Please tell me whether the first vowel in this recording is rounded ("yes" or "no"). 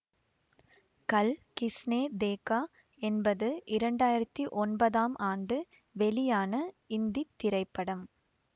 no